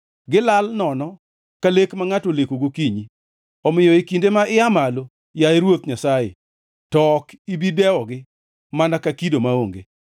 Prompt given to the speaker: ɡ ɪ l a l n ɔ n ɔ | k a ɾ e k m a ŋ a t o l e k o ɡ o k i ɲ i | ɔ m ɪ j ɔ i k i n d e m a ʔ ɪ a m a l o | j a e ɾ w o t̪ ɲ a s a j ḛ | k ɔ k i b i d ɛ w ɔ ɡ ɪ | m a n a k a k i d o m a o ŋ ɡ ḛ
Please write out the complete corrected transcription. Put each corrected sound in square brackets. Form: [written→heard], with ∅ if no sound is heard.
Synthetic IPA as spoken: ɡ ɪ l a l n ɔ n ɔ | k a [ɾ→l] e k m a ŋ a t o l e k o ɡ o k i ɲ i | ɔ m ɪ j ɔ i k i n d e m a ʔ ɪ a m a l o | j a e ɾ w o t̪ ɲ a s a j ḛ | [k→t] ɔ k i b i d ɛ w ɔ ɡ ɪ | m a n a k a k i d o m a o ŋ ɡ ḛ